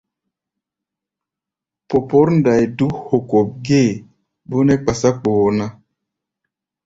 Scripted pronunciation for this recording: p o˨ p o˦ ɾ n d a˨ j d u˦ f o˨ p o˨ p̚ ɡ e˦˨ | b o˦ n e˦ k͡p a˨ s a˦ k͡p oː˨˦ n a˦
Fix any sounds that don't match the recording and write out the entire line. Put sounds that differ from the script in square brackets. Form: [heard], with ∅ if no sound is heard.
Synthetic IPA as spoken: p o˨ p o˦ ɾ n d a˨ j d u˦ [h] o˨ [k] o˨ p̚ ɡ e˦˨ | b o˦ n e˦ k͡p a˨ s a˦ k͡p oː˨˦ n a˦